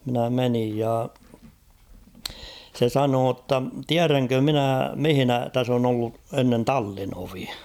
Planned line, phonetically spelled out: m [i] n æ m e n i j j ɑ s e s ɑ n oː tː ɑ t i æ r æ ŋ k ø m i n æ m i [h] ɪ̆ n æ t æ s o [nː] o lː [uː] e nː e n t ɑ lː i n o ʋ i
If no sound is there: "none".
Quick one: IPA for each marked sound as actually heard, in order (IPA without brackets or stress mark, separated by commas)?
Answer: i, h, n, u